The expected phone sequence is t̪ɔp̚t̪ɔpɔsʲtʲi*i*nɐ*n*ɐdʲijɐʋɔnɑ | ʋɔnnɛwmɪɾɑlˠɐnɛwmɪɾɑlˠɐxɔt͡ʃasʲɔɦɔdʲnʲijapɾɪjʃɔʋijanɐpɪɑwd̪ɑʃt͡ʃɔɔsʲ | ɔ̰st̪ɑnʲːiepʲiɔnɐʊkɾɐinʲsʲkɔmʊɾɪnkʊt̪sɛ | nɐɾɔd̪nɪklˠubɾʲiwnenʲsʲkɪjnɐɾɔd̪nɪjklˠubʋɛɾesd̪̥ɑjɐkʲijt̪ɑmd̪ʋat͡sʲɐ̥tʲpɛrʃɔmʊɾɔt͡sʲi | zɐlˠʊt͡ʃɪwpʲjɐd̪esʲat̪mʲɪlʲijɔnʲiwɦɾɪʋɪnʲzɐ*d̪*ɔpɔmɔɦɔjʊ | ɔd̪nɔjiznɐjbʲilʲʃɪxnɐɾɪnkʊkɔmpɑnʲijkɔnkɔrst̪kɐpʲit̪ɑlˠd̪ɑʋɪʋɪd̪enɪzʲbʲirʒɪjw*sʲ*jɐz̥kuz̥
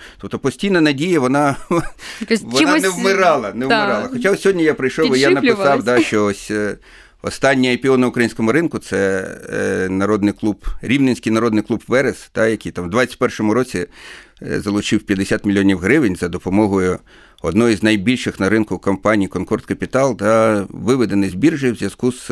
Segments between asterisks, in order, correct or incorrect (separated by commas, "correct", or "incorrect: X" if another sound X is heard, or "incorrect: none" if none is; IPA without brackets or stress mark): incorrect: j, correct, correct, incorrect: zʲ